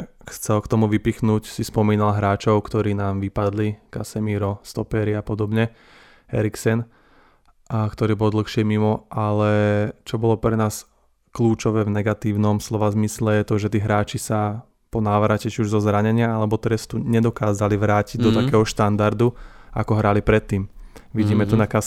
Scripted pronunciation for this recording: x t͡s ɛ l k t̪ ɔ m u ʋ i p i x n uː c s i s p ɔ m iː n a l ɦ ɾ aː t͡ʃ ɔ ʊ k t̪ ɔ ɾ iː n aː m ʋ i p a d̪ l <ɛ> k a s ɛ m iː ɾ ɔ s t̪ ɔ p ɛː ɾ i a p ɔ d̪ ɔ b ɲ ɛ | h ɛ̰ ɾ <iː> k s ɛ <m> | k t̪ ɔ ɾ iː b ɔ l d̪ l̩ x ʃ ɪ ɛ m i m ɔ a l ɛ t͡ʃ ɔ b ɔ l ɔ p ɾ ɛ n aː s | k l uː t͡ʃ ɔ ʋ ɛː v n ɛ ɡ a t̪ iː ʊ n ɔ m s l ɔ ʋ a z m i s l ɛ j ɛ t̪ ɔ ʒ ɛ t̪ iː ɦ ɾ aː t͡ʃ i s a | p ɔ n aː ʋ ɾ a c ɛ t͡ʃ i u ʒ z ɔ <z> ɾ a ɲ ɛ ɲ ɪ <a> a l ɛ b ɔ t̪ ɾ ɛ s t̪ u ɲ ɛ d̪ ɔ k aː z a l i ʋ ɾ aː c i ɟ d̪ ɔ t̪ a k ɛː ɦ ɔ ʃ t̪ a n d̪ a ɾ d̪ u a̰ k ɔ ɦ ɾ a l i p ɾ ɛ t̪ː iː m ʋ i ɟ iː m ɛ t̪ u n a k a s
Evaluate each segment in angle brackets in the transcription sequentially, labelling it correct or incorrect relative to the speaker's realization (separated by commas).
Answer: incorrect, incorrect, incorrect, correct, correct